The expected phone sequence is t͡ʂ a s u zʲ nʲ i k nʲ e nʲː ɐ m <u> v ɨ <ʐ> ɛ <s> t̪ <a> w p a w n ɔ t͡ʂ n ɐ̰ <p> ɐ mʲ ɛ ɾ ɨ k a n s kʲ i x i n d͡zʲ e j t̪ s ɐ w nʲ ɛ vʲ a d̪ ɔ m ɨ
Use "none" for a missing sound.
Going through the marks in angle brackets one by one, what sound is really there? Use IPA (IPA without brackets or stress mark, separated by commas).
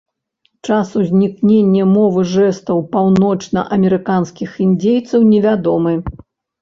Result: ɔ, ʐ, s, ɐ, ʔ